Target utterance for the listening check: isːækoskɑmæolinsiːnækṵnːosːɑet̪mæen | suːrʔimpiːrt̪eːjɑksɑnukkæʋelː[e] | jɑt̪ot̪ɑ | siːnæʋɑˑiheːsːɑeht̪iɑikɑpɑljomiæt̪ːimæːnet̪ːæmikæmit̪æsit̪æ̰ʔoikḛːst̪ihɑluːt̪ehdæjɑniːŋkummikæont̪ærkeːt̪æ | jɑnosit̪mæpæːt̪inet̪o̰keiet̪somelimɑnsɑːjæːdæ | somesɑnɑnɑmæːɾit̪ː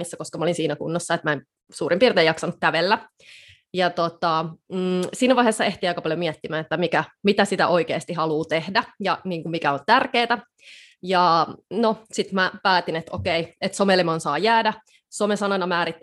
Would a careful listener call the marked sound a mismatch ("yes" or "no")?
yes